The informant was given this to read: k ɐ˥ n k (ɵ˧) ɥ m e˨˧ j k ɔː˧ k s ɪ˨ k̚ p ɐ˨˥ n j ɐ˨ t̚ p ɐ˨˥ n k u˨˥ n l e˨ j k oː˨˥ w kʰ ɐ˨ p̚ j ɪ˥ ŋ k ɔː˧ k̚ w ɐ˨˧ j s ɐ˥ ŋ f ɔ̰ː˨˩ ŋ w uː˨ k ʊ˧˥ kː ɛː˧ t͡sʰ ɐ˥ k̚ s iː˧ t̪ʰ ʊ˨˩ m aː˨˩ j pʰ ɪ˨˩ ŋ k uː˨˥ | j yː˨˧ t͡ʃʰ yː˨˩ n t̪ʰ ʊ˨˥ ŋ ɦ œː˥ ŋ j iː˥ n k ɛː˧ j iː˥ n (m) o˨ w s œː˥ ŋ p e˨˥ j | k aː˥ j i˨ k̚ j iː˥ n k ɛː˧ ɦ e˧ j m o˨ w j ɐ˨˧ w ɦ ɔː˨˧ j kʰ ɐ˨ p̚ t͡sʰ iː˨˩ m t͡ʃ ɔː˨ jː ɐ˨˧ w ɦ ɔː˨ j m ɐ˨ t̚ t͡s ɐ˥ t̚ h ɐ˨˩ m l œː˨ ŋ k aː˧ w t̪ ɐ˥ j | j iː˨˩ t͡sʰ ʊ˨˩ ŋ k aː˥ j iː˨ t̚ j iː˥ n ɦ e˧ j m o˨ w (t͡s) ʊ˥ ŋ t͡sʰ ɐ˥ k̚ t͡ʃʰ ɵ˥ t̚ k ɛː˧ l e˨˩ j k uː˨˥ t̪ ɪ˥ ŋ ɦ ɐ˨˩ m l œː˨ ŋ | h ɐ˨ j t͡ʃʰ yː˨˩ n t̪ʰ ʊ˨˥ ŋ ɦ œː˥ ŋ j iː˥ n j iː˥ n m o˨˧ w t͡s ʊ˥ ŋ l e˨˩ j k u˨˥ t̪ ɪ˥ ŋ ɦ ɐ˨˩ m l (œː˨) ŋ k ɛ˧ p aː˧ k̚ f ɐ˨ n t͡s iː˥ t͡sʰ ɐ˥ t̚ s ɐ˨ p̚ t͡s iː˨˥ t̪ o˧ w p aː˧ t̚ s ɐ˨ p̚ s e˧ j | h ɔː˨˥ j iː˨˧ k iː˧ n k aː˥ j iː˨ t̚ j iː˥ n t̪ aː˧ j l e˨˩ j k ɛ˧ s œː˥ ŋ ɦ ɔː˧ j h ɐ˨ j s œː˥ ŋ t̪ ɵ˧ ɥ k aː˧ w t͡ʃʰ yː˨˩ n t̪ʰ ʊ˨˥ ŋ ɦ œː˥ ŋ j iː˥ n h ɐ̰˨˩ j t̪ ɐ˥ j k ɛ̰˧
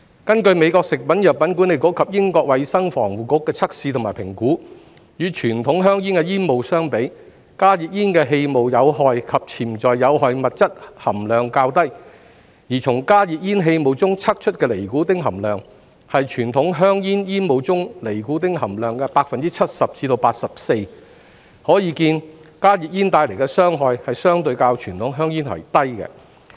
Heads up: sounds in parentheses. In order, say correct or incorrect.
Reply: correct, correct, correct, correct

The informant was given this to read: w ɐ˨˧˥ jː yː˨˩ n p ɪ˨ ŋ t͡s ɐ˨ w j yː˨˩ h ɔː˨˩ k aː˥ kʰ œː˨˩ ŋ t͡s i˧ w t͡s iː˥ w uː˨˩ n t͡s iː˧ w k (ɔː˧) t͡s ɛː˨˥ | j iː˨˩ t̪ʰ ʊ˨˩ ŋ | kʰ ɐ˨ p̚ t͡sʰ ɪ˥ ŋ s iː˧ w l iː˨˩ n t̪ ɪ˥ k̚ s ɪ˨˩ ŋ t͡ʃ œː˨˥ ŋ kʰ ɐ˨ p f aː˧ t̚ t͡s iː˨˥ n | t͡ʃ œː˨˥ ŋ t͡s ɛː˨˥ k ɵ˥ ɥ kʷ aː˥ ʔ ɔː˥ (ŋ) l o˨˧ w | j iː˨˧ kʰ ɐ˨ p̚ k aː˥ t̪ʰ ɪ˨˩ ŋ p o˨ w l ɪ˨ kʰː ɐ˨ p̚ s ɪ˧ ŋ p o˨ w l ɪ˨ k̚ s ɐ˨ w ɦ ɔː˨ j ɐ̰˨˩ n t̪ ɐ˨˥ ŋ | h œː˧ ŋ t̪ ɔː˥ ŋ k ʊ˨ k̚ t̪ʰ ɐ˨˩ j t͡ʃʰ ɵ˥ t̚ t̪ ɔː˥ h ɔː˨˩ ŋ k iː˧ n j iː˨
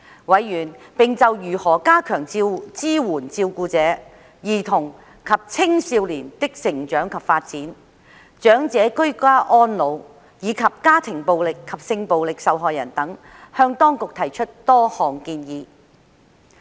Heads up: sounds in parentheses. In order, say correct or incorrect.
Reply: incorrect: uː˧, incorrect: n

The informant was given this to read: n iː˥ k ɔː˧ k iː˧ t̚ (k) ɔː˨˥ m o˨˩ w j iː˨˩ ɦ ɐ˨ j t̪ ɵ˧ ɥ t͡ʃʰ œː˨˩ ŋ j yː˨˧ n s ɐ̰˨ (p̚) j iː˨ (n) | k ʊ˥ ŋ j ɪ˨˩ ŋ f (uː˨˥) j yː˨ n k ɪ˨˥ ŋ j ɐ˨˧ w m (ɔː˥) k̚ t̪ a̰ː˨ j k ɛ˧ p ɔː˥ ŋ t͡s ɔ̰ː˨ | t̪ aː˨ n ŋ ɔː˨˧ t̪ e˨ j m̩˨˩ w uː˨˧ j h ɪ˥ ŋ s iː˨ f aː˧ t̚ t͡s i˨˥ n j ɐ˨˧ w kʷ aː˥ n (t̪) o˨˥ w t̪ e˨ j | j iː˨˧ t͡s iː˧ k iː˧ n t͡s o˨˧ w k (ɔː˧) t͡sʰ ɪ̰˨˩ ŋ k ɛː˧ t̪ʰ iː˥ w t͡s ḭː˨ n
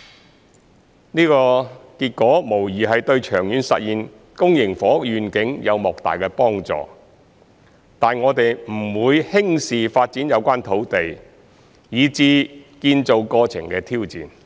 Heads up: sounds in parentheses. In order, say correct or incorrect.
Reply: correct, incorrect: t̚, correct, incorrect: ɔː˨˥, incorrect: ɔː˨˩, incorrect: t̪ʰ, correct

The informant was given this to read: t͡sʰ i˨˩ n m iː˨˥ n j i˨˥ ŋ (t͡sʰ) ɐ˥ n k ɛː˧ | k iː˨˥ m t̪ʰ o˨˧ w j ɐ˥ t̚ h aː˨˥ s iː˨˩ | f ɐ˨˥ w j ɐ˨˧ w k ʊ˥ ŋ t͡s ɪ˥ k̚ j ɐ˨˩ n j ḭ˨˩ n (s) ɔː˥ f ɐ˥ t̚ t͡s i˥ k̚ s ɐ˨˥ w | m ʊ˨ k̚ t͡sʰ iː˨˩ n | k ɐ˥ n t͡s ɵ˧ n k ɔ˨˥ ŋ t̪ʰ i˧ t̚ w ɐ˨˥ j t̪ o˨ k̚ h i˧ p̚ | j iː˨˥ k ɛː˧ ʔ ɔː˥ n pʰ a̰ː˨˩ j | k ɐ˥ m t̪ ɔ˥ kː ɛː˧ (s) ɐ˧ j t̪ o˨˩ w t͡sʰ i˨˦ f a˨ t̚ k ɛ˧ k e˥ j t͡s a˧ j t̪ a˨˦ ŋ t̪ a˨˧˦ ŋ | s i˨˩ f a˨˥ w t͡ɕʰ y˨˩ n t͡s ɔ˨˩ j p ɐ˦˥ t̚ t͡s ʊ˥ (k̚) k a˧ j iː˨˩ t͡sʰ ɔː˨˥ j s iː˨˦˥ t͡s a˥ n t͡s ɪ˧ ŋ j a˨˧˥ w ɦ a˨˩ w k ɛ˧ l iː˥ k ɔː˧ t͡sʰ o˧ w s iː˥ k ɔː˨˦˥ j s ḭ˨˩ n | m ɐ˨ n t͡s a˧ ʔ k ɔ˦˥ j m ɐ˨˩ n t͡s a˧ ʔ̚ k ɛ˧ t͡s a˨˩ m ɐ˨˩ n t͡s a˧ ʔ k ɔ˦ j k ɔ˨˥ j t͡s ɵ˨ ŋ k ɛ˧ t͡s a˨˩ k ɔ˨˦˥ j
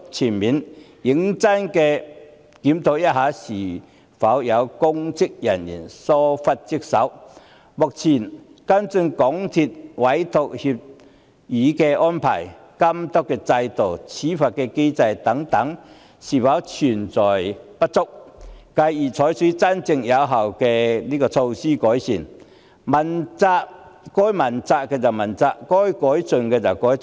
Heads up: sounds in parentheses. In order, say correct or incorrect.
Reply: incorrect: t͡s, correct, incorrect: t͡s, correct

